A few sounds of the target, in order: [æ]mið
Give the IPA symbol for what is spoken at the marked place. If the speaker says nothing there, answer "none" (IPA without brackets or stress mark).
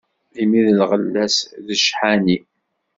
i